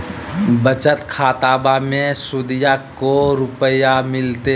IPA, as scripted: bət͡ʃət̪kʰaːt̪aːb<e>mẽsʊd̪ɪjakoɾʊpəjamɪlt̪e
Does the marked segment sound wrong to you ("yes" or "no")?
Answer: yes